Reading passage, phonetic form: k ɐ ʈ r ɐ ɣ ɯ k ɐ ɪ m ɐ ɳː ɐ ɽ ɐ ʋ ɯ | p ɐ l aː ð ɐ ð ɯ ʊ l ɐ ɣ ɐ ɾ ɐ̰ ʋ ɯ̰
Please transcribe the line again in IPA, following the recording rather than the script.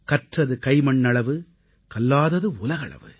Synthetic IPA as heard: k ɐ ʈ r ɐ ð ɯ k ɐ ɪ m ɐ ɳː ɐ ɭ ɐ ʋ ɯ | k ɐ lː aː ð ɐ ð ɯ ʊ l ɐ ɣ ɐ ɭ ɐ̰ ʋ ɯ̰